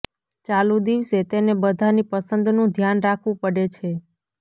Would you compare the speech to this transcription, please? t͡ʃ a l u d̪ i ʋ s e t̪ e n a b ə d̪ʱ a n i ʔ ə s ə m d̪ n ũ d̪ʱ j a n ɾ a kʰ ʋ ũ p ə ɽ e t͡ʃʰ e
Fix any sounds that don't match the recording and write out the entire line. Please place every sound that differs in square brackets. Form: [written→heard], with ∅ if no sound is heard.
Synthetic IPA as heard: t͡ʃ a l u d̪ i ʋ s e t̪ e n [a→e] b ə d̪ʱ a n i [ʔ→p] ə s ə [m→n] d̪ n ũ d̪ʱ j a n ɾ a kʰ ʋ ũ p ə ɽ e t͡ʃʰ e